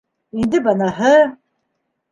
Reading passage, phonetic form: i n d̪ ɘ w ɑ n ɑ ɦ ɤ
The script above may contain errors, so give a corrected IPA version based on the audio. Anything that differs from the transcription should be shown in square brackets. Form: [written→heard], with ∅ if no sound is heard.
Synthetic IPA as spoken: i n d̪ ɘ [w→b] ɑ n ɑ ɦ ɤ